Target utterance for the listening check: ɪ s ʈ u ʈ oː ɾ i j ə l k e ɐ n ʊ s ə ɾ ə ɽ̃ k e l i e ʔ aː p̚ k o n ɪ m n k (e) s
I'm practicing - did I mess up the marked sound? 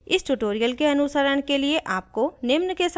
no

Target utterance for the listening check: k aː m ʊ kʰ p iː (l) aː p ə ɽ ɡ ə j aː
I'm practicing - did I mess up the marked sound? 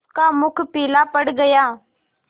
no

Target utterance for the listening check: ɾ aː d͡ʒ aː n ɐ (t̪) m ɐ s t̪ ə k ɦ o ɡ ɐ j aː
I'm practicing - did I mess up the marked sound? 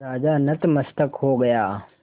no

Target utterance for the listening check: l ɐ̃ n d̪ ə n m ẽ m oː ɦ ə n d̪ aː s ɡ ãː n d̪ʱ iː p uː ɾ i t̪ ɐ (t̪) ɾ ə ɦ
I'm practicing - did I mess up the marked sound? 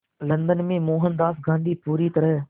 yes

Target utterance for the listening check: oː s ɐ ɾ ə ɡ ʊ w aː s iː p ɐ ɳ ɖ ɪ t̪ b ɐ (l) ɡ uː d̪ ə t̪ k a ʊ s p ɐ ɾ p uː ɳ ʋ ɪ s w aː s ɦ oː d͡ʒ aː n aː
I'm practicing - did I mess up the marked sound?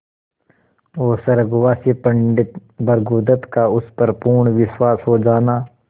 yes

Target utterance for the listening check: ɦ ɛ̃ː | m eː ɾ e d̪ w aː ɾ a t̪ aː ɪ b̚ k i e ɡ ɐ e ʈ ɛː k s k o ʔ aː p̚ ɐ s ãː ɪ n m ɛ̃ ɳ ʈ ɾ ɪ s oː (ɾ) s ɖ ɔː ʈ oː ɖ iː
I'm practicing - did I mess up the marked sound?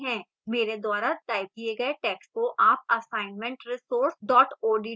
no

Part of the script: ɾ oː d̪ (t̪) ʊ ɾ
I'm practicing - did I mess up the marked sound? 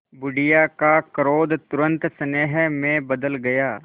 no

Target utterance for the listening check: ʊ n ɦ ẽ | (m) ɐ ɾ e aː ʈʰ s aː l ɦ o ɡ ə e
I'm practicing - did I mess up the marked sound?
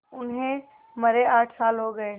no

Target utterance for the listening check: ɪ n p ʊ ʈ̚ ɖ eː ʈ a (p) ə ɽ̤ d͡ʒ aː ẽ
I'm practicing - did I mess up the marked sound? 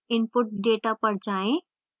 no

